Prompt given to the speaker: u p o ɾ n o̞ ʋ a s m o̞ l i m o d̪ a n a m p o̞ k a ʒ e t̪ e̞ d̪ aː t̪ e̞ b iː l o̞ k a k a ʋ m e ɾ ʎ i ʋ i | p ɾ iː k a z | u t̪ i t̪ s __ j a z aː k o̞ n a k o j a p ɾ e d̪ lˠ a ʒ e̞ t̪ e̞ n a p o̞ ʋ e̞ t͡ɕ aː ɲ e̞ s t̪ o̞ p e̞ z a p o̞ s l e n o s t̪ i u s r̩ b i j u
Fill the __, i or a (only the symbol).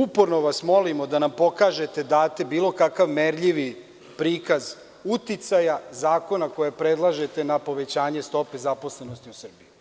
a